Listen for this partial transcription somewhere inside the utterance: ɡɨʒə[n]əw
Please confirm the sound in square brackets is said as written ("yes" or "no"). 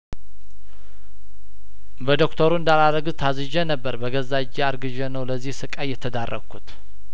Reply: yes